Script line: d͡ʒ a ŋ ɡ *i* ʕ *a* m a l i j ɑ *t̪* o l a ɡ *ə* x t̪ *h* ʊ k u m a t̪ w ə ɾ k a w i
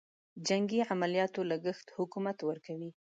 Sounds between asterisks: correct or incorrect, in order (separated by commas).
correct, correct, correct, correct, correct